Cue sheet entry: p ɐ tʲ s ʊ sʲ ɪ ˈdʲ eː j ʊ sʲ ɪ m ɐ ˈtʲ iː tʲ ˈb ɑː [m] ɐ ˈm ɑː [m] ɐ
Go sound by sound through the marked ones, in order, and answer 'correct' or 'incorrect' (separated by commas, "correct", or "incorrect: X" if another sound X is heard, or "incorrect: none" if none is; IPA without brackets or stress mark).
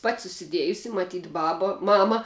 incorrect: b, correct